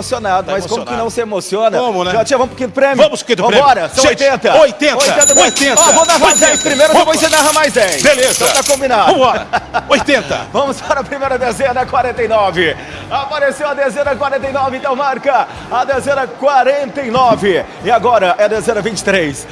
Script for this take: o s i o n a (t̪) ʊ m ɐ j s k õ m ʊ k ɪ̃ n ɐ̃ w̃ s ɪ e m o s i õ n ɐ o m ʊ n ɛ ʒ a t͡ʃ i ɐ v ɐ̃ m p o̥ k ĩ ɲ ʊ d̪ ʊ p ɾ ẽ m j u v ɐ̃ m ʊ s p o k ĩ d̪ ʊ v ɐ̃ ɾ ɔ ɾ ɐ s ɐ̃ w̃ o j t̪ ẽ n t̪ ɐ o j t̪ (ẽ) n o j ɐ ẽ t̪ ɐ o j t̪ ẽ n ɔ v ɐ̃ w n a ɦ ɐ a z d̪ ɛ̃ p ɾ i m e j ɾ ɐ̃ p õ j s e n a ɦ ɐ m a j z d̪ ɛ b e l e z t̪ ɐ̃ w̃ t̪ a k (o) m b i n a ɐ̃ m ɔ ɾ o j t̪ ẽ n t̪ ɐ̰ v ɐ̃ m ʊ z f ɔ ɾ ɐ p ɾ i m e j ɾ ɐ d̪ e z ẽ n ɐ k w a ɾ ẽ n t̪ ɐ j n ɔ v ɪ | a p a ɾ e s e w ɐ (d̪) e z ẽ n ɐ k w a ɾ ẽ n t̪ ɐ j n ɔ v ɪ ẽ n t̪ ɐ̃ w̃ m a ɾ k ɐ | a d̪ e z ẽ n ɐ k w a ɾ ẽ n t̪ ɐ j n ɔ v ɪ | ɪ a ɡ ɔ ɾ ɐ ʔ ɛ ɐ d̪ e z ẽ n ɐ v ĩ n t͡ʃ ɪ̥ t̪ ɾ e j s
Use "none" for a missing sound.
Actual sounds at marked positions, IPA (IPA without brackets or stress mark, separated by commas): d̪, ẽ, õ, d̪